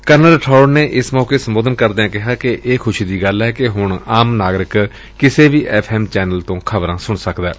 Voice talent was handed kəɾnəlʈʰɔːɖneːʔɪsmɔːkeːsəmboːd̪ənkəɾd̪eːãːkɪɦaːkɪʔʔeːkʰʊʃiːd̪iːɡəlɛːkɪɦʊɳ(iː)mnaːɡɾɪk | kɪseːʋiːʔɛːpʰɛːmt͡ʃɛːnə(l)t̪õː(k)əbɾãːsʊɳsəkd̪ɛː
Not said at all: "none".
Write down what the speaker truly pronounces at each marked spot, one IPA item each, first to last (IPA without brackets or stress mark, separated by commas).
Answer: aː, l, kʰ